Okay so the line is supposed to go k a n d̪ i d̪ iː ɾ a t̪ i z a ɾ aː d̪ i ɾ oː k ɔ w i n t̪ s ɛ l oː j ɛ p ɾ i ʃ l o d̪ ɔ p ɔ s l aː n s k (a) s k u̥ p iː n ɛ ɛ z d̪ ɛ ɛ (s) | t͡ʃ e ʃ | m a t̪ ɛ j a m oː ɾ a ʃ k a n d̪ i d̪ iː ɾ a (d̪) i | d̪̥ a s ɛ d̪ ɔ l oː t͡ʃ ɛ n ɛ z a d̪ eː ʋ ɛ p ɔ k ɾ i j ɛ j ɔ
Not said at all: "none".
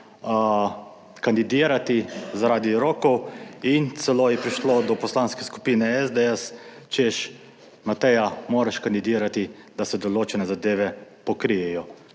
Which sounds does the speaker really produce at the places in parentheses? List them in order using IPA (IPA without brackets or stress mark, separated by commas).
ɛ, s, t̪